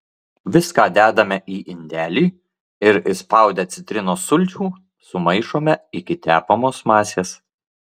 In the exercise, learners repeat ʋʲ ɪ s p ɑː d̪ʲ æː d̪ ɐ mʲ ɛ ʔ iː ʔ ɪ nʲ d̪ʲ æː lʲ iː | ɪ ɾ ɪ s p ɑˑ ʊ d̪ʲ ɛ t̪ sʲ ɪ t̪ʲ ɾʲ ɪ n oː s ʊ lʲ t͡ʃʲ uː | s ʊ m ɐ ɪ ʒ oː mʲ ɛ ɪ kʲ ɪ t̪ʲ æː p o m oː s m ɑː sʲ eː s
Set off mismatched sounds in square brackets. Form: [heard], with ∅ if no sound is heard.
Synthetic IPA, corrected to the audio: ʋʲ ɪ s [k] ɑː d̪ʲ æː d̪ ɐ mʲ ɛ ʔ iː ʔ ɪ nʲ d̪ʲ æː lʲ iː | ɪ ɾ ɪ s p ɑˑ ʊ d̪ʲ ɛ t̪ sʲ ɪ t̪ʲ ɾʲ ɪ n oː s ʊ lʲ t͡ʃʲ uː | s ʊ m ɐ ɪ [ʃ] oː mʲ ɛ ɪ kʲ ɪ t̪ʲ æː p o m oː s m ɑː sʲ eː s